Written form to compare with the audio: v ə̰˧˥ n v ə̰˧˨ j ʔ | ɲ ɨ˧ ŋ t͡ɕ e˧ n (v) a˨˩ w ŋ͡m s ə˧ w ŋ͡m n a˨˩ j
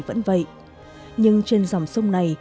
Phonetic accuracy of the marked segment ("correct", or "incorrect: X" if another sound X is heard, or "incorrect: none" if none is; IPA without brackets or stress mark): incorrect: z